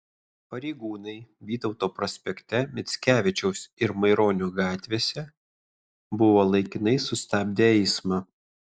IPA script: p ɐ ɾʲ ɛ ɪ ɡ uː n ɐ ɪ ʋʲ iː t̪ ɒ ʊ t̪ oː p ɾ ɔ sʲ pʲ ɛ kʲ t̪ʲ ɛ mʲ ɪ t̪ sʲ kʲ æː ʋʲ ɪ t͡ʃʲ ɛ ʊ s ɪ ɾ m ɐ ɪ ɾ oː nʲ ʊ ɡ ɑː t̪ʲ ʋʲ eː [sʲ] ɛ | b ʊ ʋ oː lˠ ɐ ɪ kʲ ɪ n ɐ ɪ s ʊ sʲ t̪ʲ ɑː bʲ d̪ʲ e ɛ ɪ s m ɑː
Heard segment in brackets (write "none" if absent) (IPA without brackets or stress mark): sʲ